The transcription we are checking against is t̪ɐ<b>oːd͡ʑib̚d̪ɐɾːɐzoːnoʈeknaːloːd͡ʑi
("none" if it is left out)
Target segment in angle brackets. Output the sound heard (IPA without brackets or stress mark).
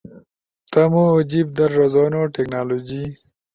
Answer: m